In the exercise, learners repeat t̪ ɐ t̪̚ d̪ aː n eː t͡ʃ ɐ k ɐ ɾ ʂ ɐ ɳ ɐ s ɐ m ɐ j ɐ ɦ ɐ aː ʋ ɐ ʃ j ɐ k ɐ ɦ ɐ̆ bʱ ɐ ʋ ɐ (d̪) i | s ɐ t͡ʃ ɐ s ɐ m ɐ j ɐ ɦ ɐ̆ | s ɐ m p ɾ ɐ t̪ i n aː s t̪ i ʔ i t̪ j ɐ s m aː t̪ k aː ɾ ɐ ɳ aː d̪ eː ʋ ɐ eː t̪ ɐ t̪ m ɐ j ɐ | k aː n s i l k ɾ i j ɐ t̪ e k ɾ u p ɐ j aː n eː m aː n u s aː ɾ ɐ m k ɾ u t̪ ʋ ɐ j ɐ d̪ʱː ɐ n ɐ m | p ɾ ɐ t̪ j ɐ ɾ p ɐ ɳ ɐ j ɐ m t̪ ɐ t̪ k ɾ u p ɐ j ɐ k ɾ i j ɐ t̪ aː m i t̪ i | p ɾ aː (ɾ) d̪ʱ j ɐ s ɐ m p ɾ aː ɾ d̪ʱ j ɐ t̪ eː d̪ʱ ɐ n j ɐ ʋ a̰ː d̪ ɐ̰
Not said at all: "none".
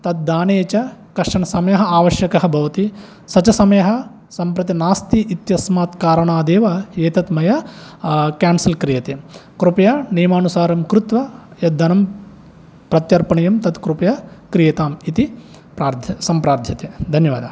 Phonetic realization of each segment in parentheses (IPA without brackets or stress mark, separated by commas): t̪, ɾ